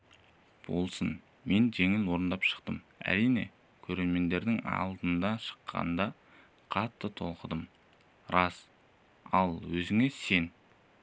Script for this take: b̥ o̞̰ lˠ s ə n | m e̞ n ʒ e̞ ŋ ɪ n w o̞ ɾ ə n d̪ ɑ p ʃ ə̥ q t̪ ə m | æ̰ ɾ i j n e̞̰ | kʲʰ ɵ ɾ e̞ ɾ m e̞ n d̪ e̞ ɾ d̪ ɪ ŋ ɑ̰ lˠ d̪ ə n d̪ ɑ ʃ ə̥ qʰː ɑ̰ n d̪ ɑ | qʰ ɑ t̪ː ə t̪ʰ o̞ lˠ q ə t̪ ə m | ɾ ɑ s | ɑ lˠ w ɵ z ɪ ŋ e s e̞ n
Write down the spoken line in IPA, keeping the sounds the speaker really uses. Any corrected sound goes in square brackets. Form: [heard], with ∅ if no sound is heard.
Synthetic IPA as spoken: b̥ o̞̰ lˠ s ə n | m e̞ n ʒ e̞ ŋ ɪ n w o̞ ɾ ə n d̪ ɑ p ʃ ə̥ q t̪ ə m | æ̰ ɾ i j n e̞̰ | kʲʰ ɵ ɾ e̞ ɾ m e̞ n d̪ e̞ ɾ d̪ ɪ ŋ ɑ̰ lˠ d̪ ə n d̪ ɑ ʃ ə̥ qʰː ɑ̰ n d̪ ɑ | qʰ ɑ t̪ː ə t̪ʰ o̞ lˠ q ə [d̪] ə m | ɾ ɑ s | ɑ lˠ w ɵ z ɪ ŋ e s e̞ n